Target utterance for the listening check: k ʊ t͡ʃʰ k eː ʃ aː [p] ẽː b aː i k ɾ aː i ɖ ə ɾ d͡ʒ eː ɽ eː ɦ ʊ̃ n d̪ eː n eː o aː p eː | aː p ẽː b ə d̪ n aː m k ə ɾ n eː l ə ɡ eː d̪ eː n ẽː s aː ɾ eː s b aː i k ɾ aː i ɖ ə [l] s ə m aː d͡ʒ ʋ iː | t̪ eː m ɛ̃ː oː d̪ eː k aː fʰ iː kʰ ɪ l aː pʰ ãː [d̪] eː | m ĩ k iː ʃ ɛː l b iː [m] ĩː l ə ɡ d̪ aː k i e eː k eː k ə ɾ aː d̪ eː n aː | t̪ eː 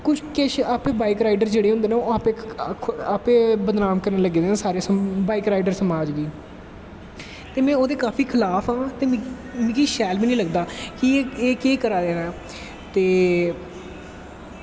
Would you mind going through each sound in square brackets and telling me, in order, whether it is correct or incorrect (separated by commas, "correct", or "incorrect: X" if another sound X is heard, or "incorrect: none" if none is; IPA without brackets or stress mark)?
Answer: correct, incorrect: ɾ, incorrect: t̪, incorrect: n